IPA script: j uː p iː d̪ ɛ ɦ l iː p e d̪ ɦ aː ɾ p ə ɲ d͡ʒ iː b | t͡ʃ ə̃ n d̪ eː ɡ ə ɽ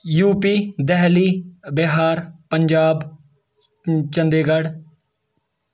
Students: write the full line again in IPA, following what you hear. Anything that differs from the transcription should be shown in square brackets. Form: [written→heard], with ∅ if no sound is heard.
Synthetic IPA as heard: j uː p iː d̪ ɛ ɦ l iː [p→b] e [d̪→∅] ɦ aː ɾ p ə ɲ d͡ʒ [iː→aː] b | t͡ʃ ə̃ n d̪ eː ɡ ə ɽ

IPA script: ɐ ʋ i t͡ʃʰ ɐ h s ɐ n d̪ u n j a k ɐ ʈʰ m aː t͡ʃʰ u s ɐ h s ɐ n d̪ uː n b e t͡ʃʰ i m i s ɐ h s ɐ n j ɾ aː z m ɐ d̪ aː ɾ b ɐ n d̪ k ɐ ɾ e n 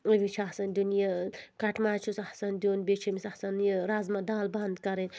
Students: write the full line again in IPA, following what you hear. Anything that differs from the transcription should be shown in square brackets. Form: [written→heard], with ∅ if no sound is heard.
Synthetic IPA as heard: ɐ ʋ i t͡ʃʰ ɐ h s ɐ n d̪ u n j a k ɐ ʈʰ m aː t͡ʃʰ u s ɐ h s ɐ n d̪ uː n b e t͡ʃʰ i m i s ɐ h s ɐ n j ɾ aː z m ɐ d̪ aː [ɾ→l] b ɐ n d̪ k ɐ ɾ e n

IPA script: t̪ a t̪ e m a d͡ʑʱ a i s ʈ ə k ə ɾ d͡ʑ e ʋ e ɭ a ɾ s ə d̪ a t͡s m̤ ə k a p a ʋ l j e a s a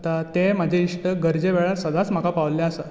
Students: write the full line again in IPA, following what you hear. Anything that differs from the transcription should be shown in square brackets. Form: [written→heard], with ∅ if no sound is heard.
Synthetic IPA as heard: t̪ a t̪ e m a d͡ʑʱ [a→e] i [s→ʂ] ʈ ə [k→ɡ] ə ɾ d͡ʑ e ʋ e ɭ a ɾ s ə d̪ a t͡s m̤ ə k a p a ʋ l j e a s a

